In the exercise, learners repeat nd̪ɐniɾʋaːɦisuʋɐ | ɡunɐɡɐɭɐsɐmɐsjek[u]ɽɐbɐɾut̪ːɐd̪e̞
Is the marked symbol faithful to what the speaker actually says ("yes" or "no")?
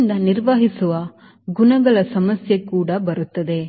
no